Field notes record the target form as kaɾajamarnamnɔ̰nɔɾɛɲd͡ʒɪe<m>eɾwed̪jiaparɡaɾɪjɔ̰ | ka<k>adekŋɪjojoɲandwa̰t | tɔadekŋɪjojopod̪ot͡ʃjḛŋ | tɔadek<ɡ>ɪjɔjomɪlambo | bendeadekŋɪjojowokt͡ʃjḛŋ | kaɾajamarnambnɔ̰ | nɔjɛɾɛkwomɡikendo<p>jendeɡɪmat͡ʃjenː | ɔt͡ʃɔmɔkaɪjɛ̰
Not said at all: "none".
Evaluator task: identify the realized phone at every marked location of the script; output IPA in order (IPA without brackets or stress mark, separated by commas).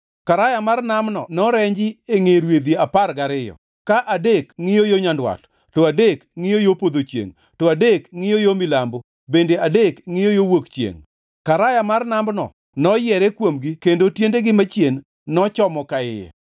ŋ, ʔ, ŋ, t